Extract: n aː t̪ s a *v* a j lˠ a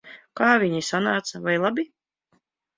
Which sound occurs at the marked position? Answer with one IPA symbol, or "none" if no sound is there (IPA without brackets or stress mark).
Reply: v